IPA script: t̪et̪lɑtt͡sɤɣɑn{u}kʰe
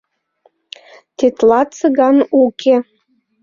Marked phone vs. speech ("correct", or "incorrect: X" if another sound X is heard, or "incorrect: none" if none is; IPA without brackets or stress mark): correct